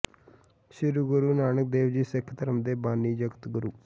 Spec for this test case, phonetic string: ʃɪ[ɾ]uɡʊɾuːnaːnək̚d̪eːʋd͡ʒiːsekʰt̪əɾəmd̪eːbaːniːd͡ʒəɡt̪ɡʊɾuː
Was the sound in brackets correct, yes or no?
yes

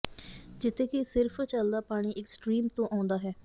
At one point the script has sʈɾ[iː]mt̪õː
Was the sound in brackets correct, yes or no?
yes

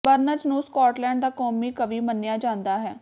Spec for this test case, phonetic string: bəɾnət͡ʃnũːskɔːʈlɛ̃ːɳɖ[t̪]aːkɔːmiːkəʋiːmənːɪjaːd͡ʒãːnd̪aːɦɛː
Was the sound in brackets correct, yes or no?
no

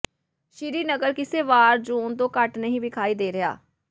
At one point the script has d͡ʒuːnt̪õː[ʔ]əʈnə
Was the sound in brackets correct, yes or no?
no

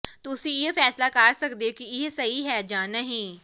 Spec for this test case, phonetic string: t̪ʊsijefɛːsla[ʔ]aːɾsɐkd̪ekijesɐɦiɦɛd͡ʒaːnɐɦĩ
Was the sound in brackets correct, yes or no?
no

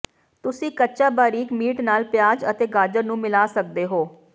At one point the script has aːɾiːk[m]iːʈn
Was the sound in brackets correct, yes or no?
yes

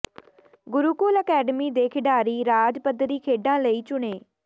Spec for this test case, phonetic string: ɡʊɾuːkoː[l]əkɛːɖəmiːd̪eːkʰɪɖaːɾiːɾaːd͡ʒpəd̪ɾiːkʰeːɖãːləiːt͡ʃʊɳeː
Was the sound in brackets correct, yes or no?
yes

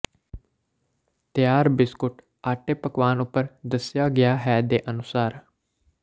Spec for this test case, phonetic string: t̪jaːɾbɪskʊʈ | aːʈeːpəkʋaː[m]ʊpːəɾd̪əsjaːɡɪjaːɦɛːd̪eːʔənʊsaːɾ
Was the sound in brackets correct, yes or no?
no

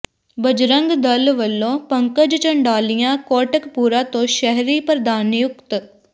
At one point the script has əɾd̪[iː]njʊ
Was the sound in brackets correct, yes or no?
no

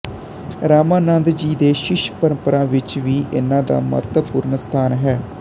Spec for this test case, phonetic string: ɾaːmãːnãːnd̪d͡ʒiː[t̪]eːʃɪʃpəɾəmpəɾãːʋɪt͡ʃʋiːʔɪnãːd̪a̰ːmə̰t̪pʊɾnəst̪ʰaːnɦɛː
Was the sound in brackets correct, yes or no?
no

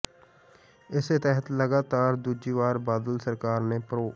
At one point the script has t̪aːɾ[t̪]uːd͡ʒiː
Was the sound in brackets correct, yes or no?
no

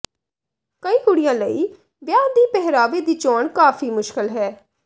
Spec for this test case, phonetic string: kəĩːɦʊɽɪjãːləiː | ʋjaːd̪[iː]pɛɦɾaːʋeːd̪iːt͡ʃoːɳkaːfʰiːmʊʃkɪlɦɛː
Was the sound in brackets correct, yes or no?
yes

